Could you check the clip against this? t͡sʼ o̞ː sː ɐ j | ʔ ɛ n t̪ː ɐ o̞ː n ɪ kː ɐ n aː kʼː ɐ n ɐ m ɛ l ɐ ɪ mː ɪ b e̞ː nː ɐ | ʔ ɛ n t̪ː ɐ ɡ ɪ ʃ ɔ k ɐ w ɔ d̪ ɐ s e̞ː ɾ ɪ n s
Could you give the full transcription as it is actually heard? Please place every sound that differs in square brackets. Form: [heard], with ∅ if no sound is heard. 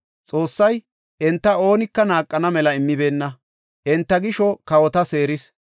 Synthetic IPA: t͡sʼ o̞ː sː ɐ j | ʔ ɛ n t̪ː ɐ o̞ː n ɪ kː ɐ n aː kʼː ɐ n ɐ m ɛ l ɐ ɪ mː ɪ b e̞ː nː ɐ | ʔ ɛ n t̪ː ɐ ɡ ɪ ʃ ɔ k ɐ w ɔ [t̪] ɐ s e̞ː ɾ ɪ [∅] s

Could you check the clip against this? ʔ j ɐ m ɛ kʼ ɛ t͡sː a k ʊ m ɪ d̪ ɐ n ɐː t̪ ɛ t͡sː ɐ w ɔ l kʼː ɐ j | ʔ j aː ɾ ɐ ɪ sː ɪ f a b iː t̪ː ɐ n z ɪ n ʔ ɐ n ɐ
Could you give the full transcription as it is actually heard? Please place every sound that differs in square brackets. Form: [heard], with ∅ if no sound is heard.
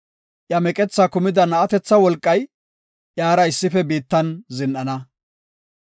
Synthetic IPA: ʔ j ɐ m ɛ kʼ ɛ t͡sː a k ʊ m ɪ d̪ ɐ n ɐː t̪ ɛ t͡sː ɐ w ɔ l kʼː ɐ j | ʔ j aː ɾ ɐ ɪ sː ɪ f [ɛ] b iː t̪ː ɐ n z ɪ n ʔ ɐ n ɐ

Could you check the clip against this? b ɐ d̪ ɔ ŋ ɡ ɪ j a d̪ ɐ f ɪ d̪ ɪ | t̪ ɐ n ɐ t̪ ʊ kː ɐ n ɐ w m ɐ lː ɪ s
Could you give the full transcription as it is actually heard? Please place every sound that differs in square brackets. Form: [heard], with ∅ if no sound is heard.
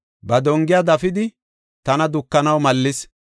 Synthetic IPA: b ɐ d̪ ɔ ŋ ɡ ɪ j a d̪ ɐ f ɪ d̪ ɪ | t̪ ɐ n ɐ [d̪] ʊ kː ɐ n ɐ w m ɐ lː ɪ s

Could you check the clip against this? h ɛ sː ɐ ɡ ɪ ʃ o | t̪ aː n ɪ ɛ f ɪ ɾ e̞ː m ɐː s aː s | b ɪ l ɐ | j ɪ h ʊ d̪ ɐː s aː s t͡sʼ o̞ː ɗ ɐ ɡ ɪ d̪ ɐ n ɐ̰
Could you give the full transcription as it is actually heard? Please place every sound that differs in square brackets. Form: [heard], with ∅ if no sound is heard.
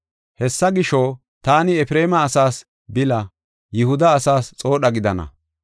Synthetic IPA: h ɛ sː ɐ ɡ ɪ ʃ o | t̪ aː n ɪ ɛ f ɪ ɾ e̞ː m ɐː s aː s | b ɪ l ɐ | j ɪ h ʊ d̪ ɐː s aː s t͡sʼ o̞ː ɗ ɐ ɡ ɪ d̪ ɐ n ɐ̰

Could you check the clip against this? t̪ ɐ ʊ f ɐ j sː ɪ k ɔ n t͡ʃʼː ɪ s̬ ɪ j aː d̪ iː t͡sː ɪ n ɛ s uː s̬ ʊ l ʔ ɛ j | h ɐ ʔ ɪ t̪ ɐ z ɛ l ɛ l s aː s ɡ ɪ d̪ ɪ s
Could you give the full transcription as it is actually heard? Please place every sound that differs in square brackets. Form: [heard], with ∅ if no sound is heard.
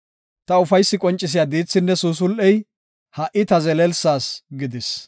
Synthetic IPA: t̪ ɐ ʊ f ɐ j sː ɪ [kʼ] ɔ n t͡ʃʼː ɪ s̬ ɪ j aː d̪ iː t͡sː ɪ [nː] ɛ s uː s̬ ʊ l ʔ ɛ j | h ɐ ʔ ɪ t̪ ɐ z ɛ l ɛ l s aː s ɡ ɪ d̪ ɪ s

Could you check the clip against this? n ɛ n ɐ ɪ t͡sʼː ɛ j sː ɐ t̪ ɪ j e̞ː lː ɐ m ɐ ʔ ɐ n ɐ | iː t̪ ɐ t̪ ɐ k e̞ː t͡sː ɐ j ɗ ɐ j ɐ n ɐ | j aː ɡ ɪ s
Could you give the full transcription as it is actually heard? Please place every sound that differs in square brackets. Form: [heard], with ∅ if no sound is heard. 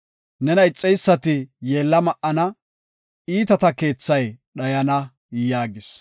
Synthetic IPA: n ɛ n ɐ ɪ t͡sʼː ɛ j sː ɐ t̪ ɪ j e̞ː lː ɐ m ɐ ʔ ɐ n ɐ | iː t̪ ɐ t̪ ɐ k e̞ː t͡sː ɐ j ɗ ɐ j ɐ n ɐ | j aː ɡ ɪ s

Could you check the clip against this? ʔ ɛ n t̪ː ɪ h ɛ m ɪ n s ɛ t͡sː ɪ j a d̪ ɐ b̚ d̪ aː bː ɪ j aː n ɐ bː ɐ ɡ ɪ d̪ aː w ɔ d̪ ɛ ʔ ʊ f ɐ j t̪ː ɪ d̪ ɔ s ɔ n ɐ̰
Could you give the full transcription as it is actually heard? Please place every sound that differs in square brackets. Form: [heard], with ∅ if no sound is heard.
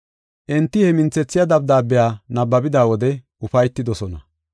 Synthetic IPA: ʔ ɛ n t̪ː ɪ h ɛ m ɪ n [t͡s] ɛ t͡sː ɪ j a d̪ ɐ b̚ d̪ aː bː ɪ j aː n ɐ bː ɐ [b] ɪ d̪ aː w ɔ d̪ ɛ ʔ ʊ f ɐ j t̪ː ɪ d̪ ɔ s ɔ n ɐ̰

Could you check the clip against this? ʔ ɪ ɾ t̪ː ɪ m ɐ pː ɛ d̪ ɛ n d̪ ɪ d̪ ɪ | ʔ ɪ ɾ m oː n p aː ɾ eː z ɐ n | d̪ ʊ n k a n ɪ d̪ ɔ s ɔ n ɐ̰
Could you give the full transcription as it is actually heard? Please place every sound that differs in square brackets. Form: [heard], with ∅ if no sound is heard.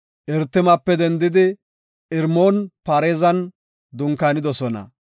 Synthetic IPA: ʔ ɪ ɾ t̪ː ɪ m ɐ pː ɛ d̪ ɛ n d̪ ɪ d̪ ɪ | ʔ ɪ ɾ m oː n p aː ɾ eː z ɐ n | d̪ ʊ [ŋ] k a n ɪ d̪ ɔ s ɔ n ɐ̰

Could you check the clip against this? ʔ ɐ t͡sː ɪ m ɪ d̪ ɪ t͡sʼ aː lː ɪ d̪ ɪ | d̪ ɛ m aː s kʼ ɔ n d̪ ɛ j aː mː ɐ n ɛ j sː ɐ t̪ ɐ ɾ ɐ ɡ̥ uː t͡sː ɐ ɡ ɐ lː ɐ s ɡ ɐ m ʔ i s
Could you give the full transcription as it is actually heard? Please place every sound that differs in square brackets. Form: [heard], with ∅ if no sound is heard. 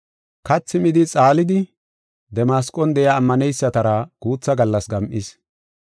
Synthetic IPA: [k] ɐ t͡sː ɪ m ɪ d̪ ɪ t͡sʼ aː [l] ɪ d̪ ɪ | d̪ ɛ m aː s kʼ ɔ n d̪ ɛ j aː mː ɐ n ɛ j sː ɐ t̪ ɐ ɾ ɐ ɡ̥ uː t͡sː ɐ ɡ ɐ lː ɐ s ɡ ɐ m ʔ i s

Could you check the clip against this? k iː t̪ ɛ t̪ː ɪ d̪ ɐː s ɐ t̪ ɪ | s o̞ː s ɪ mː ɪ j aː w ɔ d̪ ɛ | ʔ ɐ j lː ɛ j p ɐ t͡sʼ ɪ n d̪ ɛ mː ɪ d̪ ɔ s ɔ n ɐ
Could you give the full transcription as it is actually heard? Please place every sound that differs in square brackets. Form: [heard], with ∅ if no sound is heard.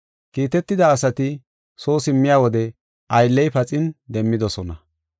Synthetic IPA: k iː t̪ ɛ t̪ː ɪ d̪ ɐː s ɐ t̪ ɪ | s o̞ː s ɪ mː ɪ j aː w ɔ d̪ ɛ | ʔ ɐ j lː ɛ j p ɐ t͡sʼ ɪ n d̪ ɛ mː ɪ d̪ ɔ s ɔ n ɐ

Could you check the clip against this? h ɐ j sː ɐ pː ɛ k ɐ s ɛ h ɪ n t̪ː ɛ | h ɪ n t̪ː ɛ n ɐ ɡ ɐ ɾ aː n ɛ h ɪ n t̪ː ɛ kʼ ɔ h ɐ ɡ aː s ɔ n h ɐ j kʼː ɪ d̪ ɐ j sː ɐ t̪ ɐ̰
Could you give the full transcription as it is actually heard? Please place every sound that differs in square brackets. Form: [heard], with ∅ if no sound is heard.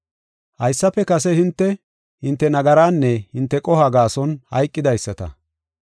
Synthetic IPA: h ɐ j sː ɐ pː ɛ k ɐ s ɛ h ɪ n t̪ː ɛ | h ɪ n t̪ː ɛ n ɐ ɡ ɐ ɾ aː [nː] ɛ h ɪ n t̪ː ɛ kʼ ɔ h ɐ ɡ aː s ɔ n h ɐ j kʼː ɪ d̪ ɐ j sː ɐ t̪ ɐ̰

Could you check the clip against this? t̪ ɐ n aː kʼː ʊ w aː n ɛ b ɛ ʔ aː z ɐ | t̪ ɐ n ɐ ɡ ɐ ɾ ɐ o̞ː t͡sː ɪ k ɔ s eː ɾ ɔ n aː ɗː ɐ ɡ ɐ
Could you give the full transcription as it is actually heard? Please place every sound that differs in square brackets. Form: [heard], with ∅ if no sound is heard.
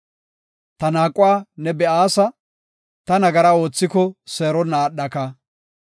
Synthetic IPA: t̪ ɐ n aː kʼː ʊ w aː n ɛ b ɛ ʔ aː [s] ɐ | t̪ ɐ n ɐ ɡ ɐ ɾ ɐ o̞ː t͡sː ɪ k ɔ s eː ɾ ɔ n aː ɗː ɐ [k] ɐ

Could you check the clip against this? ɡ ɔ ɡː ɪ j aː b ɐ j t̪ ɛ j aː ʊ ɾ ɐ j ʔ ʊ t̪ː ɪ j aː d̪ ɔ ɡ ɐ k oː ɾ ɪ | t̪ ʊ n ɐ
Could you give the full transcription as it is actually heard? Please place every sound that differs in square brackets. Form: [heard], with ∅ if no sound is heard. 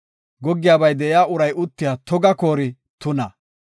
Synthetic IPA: ɡ ɔ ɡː ɪ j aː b ɐ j [d̪] ɛ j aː ʊ ɾ ɐ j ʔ ʊ t̪ː ɪ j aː [t̪] ɔ ɡ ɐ k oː ɾ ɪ | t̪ ʊ n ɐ

